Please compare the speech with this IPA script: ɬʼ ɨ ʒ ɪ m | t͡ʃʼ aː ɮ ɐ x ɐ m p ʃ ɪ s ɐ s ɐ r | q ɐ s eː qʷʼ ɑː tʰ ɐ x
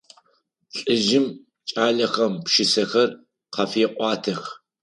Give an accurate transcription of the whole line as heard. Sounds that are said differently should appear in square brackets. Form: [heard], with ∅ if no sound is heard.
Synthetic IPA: ɬʼ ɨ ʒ ɪ m | t͡ʃʼ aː ɮ ɐ x ɐ m p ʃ ɪ s ɐ [x] ɐ r | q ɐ [f] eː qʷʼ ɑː tʰ ɐ x